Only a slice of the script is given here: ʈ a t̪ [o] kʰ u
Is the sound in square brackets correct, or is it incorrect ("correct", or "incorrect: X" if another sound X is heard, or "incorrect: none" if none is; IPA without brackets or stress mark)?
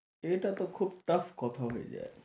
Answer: correct